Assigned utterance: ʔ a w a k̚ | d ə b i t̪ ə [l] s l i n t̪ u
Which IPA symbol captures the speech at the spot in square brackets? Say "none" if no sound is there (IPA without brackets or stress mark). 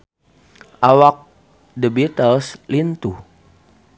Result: l